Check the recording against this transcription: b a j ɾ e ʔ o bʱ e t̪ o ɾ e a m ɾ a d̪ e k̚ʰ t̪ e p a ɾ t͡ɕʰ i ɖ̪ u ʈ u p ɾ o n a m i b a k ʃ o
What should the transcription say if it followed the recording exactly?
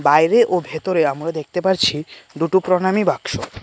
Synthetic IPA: b a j ɾ e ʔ o bʱ e t̪ o ɾ e a m ɾ a d̪ e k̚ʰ t̪ e p a ɾ t͡ɕʰ i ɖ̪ u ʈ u p ɾ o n a m i b a k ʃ o